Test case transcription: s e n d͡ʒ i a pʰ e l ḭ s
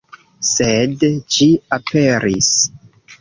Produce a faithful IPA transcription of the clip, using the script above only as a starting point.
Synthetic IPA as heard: s e d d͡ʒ i a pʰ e ɾ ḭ s